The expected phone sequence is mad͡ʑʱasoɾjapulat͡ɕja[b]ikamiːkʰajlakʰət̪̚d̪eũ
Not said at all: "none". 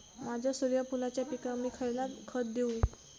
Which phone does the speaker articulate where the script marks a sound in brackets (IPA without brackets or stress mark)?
p